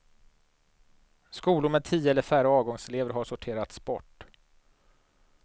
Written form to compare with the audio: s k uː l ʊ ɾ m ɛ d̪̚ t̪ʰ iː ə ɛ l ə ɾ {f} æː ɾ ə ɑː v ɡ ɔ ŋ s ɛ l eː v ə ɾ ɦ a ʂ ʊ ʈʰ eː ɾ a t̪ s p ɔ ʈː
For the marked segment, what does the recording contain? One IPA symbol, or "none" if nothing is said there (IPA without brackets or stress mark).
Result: f